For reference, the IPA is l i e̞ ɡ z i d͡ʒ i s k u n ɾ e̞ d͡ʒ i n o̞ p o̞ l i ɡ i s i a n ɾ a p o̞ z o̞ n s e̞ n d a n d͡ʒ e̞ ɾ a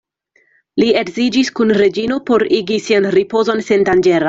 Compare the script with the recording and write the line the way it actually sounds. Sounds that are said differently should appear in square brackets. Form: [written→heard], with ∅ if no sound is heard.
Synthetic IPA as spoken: l i e̞ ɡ z i d͡ʒ i s k u n ɾ e̞ d͡ʒ i n o̞ p o̞ [l→ɾ] i ɡ i s i a n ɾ [a→i] p o̞ z o̞ n s e̞ n d a n d͡ʒ e̞ ɾ a